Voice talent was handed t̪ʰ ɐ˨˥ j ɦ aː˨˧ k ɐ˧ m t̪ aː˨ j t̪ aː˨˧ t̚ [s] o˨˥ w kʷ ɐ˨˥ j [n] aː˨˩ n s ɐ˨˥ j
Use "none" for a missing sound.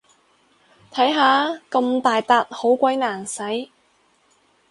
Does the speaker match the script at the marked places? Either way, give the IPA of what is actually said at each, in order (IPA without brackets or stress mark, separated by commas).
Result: h, n